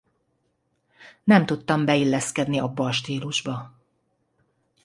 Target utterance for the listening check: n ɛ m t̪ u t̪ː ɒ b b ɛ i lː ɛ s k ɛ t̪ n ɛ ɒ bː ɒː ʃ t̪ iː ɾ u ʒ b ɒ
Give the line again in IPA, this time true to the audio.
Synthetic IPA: n ɛ m t̪ u t̪ː ɒ m b ɛ i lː ɛ s k ɛ d̪ n i ɒ bː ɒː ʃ t̪ iː l u ʒ b ɒ